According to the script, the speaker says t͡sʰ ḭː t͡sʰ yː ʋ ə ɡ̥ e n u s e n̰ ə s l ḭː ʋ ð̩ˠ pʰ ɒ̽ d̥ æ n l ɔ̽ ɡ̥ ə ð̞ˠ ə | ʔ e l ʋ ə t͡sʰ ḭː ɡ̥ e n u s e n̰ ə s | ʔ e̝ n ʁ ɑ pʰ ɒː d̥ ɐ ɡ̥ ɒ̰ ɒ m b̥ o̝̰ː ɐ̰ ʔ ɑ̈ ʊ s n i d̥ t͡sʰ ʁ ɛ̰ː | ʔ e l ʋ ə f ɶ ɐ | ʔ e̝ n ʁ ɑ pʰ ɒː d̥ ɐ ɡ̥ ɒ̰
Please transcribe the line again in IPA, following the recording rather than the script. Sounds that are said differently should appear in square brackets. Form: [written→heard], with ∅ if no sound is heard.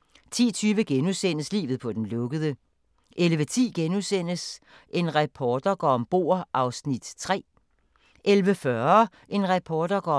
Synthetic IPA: t͡sʰ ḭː t͡sʰ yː ʋ ə ɡ̥ e n u s e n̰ ə s l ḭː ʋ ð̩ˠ pʰ ɒ̽ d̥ [æ→e] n l ɔ̽ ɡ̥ ə ð̞ˠ ə | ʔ e l ʋ ə t͡sʰ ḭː ɡ̥ e n u s e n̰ ə s | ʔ e̝ n ʁ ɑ pʰ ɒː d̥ ɐ ɡ̥ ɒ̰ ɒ m b̥ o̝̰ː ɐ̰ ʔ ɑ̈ ʊ s n i d̥ t͡sʰ ʁ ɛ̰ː | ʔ e l ʋ ə f ɶ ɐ | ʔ e̝ n ʁ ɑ pʰ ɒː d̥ ɐ ɡ̥ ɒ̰